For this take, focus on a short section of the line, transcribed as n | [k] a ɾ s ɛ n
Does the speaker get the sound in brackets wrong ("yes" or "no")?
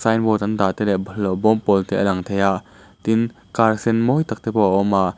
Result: no